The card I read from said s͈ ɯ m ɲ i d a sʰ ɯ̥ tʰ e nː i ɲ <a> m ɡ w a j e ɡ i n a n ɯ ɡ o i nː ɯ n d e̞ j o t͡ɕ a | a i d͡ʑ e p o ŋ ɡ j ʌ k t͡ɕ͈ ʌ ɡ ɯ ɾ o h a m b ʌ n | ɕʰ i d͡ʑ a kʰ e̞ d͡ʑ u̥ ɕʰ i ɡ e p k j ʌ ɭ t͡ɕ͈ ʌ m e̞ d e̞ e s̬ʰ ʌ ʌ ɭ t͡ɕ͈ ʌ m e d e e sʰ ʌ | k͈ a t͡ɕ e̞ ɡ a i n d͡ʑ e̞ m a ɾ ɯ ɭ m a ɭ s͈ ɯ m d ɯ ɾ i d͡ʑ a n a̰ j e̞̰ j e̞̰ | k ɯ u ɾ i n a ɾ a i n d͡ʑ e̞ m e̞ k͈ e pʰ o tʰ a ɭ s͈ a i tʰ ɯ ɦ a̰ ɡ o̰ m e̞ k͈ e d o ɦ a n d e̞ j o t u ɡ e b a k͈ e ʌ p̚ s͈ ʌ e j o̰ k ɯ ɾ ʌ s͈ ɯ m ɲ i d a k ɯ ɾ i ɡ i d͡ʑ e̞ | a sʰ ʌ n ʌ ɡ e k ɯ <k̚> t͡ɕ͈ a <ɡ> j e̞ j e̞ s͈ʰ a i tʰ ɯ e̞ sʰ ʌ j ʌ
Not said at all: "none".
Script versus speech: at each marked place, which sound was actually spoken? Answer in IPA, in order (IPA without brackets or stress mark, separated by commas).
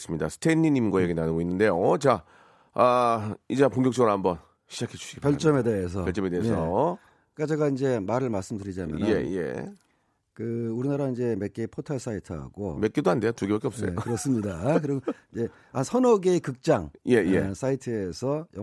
i, k̚, ŋ